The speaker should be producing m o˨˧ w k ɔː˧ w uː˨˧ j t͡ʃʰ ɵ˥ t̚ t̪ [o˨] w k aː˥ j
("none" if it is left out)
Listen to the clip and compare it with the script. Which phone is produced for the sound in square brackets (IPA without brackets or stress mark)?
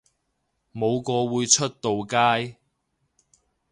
o˨